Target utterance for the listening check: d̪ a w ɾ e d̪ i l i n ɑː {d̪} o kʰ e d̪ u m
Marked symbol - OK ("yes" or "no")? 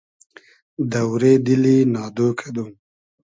yes